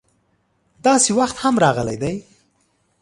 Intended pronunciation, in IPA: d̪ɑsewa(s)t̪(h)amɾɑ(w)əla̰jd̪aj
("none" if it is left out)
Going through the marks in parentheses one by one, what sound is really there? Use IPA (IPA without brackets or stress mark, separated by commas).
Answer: x, h, ɣ